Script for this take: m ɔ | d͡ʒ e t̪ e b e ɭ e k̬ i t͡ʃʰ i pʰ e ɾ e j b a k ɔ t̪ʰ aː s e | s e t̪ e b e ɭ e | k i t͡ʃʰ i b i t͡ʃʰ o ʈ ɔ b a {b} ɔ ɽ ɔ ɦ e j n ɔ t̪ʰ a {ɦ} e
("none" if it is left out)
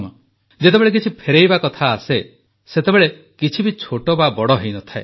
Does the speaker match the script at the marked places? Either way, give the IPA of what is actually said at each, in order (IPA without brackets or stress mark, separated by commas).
b, none